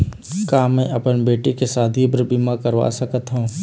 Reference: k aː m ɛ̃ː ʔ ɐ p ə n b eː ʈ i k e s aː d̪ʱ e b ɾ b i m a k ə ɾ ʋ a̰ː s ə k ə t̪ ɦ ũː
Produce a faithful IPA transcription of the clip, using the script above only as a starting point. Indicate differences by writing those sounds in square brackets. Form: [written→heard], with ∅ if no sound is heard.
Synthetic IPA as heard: k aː m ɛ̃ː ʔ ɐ p ə n b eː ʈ i k e s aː d̪ʱ [e→i] b ɾ b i m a k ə ɾ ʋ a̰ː s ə k ə t̪ ɦ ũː